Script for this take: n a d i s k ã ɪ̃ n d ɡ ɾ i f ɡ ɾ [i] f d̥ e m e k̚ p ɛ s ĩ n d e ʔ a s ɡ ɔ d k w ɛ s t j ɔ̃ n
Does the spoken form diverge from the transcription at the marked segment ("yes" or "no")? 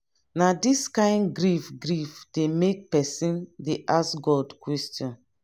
no